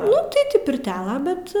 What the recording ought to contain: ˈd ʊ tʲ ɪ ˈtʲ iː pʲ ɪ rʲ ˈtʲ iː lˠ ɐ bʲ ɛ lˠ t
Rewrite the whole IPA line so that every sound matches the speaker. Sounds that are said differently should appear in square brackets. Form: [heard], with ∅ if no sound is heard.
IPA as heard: [ˈn] ʊ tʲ ɪ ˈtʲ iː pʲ ɪ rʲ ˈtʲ [æː] lˠ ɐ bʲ ɛ [∅] t

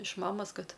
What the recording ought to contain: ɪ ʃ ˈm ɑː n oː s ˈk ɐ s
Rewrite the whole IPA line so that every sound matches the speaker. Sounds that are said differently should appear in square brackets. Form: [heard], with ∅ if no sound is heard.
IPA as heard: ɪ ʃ ˈm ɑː [m] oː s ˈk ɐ [t]

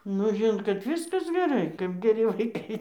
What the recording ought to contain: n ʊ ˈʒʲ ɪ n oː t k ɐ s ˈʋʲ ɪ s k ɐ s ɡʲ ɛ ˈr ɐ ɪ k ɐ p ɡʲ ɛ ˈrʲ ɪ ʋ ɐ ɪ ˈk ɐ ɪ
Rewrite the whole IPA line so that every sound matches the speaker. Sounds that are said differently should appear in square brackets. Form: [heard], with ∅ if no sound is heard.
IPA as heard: n ʊ ˈʒʲ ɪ n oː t k ɐ [t] ˈʋʲ ɪ s k ɐ s ɡʲ ɛ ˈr ɐ ɪ k ɐ p ɡʲ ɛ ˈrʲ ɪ ʋ ɐ ɪ ˈk ɐ ɪ

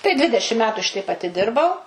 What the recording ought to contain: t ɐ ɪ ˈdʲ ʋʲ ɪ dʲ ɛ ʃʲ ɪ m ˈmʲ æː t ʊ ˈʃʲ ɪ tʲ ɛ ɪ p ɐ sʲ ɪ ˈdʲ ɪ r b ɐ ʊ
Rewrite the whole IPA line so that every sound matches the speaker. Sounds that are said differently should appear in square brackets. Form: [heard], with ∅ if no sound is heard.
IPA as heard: t ɐ ɪ ˈdʲ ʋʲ ɪ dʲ ɛ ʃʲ ɪ m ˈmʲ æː t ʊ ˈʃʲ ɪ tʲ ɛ ɪ p ɐ [tʲ] ɪ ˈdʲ ɪ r b ɐ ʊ

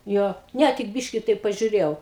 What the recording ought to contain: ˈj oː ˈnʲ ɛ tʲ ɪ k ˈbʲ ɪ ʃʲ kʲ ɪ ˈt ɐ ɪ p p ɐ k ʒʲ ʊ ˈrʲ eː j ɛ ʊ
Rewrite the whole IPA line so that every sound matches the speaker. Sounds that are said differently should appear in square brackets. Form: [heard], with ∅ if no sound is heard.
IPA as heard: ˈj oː ˈnʲ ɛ tʲ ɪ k ˈbʲ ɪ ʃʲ kʲ ɪ ˈt ɐ ɪ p p ɐ [∅] ʒʲ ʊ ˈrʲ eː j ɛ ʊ

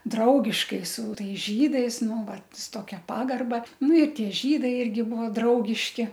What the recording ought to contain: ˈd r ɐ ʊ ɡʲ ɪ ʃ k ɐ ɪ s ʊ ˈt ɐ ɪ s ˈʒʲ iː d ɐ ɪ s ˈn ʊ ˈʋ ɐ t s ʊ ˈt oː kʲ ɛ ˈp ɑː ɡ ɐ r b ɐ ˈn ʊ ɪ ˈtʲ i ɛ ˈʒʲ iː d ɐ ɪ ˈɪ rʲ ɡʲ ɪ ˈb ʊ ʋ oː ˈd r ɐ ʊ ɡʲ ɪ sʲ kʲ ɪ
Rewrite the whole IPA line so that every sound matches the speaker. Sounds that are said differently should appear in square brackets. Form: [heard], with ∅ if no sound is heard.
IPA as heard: ˈd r ɐ ʊ ɡʲ ɪ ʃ k ɐ ɪ s ʊ ˈt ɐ ɪ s ˈʒʲ iː d ɐ ɪ s ˈn ʊ ˈʋ ɐ t s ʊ ˈt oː kʲ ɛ ˈp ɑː ɡ ɐ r b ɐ ˈn ʊ ɪ ˈtʲ i ɛ ˈʒʲ iː d ɐ ɪ ˈɪ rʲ ɡʲ ɪ ˈb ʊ ʋ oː ˈd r ɐ ʊ ɡʲ ɪ [ʃʲ] kʲ ɪ

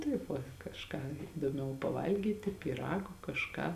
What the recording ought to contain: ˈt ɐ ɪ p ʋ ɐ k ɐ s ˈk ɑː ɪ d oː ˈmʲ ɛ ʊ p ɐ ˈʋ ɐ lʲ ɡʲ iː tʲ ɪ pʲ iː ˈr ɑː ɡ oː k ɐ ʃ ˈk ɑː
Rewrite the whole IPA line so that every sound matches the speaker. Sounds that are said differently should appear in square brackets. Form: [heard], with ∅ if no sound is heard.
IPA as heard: ˈt ɐ ɪ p ʋ ɐ k ɐ [ʃ] ˈk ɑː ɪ d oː ˈmʲ ɛ ʊ p ɐ ˈʋ ɐ lʲ ɡʲ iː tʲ ɪ pʲ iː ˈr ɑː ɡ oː k ɐ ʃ ˈk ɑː

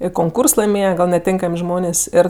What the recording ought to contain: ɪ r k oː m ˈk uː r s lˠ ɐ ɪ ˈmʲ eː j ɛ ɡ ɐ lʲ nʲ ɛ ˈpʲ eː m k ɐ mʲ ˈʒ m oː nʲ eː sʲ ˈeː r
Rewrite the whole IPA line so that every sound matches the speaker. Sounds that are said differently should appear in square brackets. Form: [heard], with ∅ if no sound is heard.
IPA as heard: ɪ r k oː [ŋ] ˈk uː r s lˠ ɐ ɪ ˈmʲ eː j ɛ ɡ ɐ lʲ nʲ ɛ [ˈtʲ] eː [ŋ] k ɐ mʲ ˈʒ m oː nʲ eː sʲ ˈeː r

